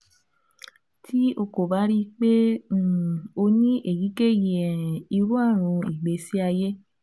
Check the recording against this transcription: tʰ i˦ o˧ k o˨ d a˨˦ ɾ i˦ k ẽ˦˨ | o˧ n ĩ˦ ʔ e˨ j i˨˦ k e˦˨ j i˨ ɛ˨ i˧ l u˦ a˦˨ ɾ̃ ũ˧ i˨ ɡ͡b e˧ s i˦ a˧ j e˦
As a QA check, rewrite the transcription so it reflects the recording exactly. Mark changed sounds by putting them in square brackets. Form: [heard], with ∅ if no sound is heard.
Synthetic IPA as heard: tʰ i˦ o˧ k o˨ [b] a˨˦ ɾ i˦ [k͡p] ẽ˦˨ | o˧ n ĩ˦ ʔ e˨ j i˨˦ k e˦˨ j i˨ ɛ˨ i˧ [ɾ] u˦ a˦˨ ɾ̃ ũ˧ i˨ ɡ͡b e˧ s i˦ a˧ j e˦